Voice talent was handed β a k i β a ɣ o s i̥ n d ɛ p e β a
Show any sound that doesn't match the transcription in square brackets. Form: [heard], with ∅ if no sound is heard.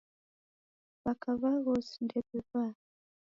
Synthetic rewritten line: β a k [a] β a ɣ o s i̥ n d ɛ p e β a